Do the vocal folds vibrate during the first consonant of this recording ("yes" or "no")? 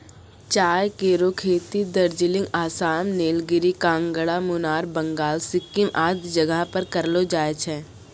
no